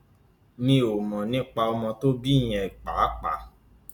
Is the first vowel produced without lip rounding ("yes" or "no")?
yes